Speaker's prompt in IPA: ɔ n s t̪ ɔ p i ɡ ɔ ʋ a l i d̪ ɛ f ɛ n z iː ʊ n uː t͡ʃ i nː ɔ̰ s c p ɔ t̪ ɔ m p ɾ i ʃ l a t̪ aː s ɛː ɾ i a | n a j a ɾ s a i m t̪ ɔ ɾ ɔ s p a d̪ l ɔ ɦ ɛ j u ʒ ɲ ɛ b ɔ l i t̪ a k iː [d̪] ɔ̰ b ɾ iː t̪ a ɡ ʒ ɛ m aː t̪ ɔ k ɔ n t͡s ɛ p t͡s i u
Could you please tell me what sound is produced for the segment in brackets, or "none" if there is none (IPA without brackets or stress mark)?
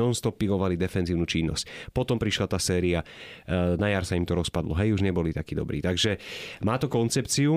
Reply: d̪